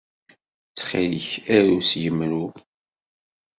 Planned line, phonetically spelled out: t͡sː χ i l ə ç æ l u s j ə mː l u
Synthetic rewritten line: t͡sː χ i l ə ç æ ɾ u s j ə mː ɾ u